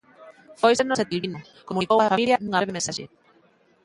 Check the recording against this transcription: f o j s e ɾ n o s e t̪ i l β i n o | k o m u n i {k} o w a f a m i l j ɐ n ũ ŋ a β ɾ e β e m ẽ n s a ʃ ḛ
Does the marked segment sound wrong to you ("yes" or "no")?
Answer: no